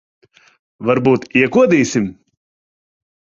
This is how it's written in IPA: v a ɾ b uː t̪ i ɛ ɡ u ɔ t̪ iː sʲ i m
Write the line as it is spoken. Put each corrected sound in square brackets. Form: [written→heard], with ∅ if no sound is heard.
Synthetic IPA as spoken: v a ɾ b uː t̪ i ɛ [ɡ→k] u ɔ [t̪→d̪] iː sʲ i m